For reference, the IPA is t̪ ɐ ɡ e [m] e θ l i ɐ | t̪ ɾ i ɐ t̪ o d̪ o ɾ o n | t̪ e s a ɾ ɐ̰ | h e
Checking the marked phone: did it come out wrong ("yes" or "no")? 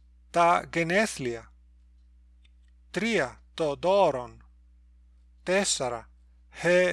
yes